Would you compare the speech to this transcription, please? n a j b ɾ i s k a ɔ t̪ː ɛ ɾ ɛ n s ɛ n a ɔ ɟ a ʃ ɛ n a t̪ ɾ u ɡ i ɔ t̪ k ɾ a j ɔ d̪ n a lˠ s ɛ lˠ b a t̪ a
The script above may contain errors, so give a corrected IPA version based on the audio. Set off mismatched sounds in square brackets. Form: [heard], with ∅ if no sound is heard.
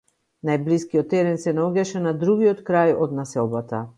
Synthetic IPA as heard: n a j b [l] i s k [i] ɔ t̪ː ɛ ɾ ɛ n s ɛ n a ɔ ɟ a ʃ ɛ n a [d̪] ɾ u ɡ i ɔ t̪ k ɾ a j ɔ d̪ n a [∅] s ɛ lˠ b a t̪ a